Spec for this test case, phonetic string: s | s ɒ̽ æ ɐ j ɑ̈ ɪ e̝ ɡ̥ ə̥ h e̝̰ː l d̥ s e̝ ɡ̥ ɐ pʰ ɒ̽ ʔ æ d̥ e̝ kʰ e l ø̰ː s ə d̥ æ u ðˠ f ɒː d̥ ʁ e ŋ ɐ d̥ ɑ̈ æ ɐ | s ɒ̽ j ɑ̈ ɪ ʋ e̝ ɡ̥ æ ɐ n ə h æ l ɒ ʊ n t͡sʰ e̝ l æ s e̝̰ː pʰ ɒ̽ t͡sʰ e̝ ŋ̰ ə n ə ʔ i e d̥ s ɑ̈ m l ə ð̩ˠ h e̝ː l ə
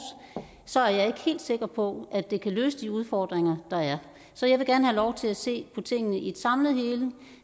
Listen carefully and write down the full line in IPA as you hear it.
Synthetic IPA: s | s ɒ̽ æ ɐ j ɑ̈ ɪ e̝ ɡ̥ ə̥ h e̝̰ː l d̥ s e̝ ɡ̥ ɐ pʰ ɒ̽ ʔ æ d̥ e̝ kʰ æ l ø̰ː s ə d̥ i u ðˠ f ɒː d̥ ʁ e ŋ ɐ d̥ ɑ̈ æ ɐ | s ɒ̽ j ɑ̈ ɪ ʋ e̝ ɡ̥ æ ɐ n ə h æ l ɒ ʊ t͡sʰ e̝ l æ s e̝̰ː pʰ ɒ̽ t͡sʰ e̝ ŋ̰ ə n ə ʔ i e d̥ s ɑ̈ m l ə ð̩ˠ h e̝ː l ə